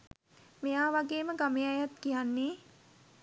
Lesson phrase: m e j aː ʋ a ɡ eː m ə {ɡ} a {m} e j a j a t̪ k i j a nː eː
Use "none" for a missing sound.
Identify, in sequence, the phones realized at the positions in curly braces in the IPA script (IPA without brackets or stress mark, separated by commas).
ɡ, m